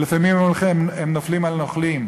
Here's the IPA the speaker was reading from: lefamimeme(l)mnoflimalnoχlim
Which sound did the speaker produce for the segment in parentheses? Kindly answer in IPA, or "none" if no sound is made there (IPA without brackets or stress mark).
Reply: none